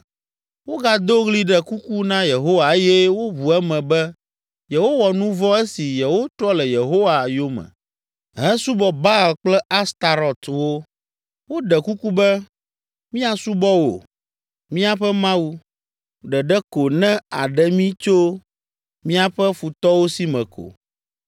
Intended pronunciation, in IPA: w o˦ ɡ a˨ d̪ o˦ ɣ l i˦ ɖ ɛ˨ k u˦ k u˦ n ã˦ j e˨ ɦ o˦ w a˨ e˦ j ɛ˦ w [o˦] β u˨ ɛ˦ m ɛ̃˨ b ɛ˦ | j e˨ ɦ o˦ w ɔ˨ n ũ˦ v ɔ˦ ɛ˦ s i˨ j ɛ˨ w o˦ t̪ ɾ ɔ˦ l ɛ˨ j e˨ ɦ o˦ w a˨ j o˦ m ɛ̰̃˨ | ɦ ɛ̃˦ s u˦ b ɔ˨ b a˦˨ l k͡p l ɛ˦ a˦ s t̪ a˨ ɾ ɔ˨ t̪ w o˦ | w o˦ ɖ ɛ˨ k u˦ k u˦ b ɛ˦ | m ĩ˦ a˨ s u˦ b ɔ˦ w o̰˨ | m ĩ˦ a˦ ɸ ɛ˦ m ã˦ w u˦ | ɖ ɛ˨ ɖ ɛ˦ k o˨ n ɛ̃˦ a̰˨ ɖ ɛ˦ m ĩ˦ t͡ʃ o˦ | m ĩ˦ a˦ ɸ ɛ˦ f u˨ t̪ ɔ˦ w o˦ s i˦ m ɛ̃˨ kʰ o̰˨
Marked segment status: correct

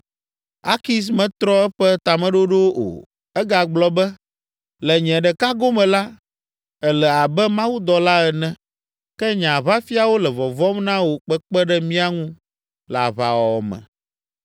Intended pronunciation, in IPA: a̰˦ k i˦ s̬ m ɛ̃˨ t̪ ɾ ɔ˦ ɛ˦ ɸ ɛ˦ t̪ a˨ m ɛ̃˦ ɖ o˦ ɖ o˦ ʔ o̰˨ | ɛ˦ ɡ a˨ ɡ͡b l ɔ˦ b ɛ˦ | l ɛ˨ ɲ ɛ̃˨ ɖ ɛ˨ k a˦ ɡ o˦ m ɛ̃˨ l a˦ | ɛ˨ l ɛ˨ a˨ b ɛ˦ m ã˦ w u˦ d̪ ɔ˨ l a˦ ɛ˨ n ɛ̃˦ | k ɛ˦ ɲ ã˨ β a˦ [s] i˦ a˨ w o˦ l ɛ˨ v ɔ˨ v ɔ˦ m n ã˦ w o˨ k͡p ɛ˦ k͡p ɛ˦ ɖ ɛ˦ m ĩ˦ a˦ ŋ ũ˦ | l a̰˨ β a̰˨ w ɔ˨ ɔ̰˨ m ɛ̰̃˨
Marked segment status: incorrect: f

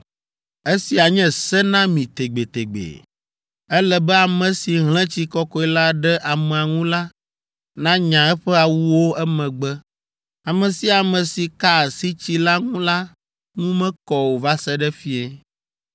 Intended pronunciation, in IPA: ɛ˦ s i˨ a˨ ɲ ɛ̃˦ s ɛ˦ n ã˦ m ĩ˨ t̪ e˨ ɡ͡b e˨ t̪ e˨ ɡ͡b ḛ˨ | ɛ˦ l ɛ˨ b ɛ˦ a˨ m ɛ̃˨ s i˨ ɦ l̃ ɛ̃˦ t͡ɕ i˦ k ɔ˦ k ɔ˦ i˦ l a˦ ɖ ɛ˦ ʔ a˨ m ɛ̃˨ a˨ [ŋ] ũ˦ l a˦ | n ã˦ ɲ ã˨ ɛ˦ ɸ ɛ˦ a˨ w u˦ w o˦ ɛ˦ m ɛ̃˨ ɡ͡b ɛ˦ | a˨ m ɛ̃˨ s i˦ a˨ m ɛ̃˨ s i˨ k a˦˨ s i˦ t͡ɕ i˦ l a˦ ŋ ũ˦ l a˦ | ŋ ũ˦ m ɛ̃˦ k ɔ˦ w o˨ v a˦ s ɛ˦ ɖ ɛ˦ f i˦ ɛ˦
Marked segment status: correct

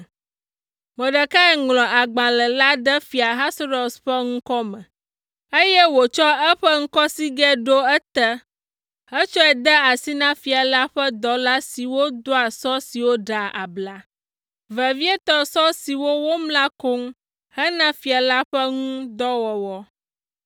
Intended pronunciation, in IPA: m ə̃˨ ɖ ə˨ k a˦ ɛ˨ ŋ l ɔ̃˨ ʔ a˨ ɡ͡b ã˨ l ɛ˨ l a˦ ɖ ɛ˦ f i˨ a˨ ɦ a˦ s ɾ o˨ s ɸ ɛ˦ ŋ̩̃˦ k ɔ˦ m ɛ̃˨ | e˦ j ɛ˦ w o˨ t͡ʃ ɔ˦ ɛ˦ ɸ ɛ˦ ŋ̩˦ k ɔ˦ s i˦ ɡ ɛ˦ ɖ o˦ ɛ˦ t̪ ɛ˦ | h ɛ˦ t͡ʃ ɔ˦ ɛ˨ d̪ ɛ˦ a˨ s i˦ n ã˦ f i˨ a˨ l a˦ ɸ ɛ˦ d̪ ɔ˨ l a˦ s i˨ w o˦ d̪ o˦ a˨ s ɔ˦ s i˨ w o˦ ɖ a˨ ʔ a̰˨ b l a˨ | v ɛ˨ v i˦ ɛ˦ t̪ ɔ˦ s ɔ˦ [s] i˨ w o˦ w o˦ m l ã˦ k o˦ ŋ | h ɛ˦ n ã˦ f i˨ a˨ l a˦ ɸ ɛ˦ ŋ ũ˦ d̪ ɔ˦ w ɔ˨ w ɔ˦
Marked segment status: correct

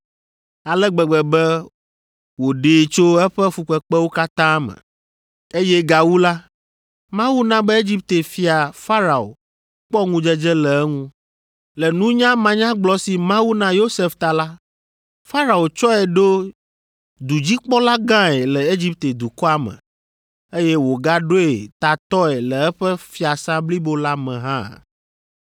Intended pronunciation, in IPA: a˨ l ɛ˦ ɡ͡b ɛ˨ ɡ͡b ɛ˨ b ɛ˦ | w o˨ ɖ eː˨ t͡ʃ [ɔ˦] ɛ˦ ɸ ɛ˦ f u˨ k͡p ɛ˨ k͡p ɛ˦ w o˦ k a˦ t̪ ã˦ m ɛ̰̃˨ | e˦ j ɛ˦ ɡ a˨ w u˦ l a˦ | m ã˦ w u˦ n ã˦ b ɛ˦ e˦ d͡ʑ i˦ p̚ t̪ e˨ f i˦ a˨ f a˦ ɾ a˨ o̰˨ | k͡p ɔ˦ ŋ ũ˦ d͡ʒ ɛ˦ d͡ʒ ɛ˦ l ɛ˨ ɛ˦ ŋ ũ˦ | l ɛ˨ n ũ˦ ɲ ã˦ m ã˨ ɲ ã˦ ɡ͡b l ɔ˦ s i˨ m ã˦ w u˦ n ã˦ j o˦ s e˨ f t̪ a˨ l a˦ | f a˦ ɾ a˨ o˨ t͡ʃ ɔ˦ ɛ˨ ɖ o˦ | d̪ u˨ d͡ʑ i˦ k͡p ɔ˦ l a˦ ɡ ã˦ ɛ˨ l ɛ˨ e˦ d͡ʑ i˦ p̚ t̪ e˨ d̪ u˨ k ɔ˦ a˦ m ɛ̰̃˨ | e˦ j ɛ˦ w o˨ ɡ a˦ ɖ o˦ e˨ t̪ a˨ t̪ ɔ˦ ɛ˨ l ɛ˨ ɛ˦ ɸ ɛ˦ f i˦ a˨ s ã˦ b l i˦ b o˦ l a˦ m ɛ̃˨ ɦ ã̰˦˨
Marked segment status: incorrect: o˦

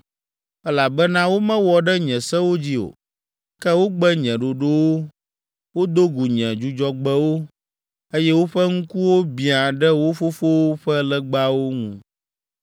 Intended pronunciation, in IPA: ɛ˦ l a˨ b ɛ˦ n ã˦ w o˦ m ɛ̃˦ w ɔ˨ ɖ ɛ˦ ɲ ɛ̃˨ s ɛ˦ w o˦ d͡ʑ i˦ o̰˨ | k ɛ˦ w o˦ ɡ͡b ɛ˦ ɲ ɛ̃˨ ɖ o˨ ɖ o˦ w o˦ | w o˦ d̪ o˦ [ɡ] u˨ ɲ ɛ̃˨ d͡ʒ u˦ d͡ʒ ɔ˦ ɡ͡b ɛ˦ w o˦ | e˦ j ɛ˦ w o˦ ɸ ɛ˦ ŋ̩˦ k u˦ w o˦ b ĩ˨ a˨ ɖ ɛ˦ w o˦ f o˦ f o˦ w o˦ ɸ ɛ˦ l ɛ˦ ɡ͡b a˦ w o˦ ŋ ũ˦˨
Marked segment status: correct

